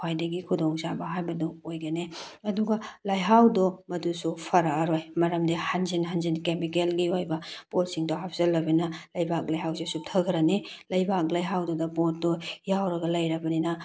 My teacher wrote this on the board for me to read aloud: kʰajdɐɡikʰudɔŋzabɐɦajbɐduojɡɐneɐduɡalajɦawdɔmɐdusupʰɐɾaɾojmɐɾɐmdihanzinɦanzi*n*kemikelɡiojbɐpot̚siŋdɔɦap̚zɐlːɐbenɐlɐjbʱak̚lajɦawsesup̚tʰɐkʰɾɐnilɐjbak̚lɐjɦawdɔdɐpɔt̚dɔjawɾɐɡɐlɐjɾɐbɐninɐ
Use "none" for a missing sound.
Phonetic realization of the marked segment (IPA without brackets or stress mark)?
n